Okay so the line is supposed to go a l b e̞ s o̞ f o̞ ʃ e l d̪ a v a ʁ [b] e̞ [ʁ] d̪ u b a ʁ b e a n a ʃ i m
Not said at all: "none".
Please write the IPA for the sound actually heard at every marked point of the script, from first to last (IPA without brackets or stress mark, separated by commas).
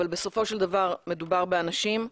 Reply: m, none